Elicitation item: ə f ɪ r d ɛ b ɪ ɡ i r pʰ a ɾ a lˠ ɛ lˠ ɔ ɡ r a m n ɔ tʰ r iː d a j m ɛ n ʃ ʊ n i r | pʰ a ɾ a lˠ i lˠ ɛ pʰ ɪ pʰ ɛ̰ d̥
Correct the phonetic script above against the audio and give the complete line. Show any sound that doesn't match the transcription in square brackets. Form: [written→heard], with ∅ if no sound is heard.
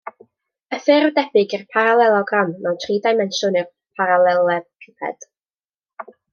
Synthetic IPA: ə f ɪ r d ɛ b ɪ ɡ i r pʰ a ɾ a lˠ ɛ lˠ ɔ ɡ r a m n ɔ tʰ r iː d a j m ɛ n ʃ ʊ n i r | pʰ a ɾ a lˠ [i→ɛ] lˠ ɛ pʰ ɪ pʰ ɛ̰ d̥